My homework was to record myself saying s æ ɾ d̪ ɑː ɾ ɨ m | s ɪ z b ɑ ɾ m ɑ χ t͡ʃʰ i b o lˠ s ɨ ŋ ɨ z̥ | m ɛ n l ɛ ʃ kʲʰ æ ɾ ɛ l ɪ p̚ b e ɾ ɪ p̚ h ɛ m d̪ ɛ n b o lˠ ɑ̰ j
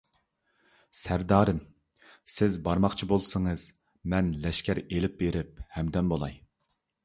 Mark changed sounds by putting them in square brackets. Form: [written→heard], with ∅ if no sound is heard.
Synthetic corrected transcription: s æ ɾ d̪ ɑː ɾ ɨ m | s ɪ z b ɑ ɾ m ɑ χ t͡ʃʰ i b o lˠ s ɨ ŋ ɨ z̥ | m ɛ n l ɛ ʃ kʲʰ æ ɾ [ɛ→e] l ɪ p̚ b e ɾ ɪ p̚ h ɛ m d̪ ɛ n b o lˠ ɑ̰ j